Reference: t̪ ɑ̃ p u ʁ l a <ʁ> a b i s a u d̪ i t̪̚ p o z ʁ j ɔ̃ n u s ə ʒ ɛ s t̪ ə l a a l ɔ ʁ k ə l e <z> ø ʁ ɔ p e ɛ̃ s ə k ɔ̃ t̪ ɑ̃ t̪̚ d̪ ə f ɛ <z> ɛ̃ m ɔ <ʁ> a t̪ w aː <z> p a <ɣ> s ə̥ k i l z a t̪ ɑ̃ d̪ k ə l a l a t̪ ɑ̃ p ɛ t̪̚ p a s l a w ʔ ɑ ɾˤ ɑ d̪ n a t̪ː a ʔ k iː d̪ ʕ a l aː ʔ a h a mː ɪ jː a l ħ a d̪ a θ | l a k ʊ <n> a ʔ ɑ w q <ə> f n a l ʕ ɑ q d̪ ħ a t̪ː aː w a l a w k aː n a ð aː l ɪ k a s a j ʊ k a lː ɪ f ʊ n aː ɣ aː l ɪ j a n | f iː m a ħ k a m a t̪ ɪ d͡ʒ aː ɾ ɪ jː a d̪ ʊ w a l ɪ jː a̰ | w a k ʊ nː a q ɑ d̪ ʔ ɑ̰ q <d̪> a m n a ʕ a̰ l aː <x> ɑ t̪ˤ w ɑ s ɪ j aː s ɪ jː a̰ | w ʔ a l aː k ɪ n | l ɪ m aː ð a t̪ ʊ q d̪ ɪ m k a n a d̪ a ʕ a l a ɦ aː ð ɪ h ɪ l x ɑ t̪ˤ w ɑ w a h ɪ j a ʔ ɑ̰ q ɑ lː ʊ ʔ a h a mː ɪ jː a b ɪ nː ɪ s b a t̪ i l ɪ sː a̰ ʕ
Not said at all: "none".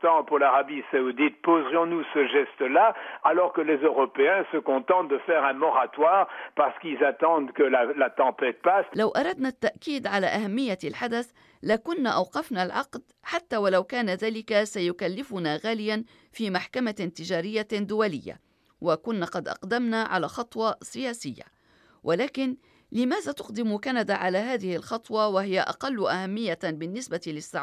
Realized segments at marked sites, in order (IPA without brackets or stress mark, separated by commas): ʁ, z, ʁ, ʁ, ʁ, ʁ, nː, ɑ, d̪, x